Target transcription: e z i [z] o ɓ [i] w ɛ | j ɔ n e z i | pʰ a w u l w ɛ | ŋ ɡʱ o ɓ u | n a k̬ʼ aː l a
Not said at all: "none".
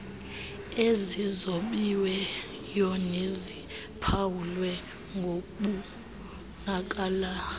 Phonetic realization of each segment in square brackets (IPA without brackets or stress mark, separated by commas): z, i